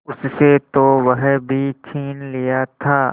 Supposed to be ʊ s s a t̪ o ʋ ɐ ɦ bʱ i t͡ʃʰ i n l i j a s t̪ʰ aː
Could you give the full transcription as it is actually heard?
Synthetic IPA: ʊ s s e t̪ o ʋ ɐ ɦ bʱ i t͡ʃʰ iː n l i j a t̪ʰ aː